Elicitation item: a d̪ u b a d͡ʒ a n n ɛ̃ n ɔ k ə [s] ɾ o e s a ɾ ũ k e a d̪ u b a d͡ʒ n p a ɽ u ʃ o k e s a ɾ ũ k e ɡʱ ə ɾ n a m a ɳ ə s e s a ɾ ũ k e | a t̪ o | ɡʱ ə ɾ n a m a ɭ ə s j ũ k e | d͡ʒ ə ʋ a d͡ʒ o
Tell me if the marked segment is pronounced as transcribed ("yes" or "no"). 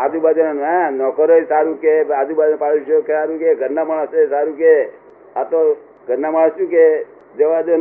no